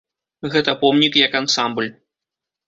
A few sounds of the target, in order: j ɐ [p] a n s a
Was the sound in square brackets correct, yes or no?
no